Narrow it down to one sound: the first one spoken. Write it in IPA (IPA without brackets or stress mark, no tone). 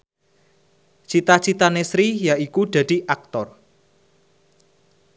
t͡ʃ